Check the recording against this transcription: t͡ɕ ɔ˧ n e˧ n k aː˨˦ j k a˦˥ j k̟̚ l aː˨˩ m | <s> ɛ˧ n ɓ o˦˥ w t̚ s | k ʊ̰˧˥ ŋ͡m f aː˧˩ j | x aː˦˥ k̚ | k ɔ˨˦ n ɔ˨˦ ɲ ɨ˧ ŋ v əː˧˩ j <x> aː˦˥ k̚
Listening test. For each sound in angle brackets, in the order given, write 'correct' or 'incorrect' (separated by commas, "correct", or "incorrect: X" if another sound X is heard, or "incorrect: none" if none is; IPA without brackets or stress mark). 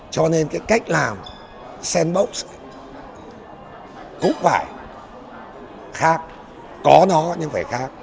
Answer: correct, correct